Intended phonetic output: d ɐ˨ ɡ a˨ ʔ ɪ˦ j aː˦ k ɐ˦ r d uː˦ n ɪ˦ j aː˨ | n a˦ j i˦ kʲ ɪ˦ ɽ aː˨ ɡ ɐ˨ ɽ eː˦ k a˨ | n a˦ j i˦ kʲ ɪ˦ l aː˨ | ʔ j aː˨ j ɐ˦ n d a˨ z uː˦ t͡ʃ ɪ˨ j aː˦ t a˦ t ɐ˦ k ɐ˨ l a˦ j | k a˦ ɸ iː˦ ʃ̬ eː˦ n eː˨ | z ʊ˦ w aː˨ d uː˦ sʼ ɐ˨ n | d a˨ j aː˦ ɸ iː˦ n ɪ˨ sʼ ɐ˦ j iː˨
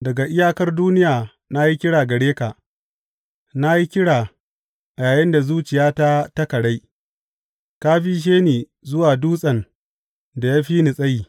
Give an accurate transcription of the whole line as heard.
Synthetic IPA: d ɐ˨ ɡ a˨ ʔ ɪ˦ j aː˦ k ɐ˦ r d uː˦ n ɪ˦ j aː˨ | n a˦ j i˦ kʲ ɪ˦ ɽ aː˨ ɡ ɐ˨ ɽ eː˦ k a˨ | n a˦ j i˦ kʲ ɪ˦ ɽ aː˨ | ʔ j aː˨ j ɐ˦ n d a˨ z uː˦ t͡ʃ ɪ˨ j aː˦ t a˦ t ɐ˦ k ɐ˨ ɽ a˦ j | k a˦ ɸ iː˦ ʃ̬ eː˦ n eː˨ | z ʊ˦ w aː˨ d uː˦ sʼ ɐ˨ n | d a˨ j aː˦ ɸ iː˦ n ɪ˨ sʼ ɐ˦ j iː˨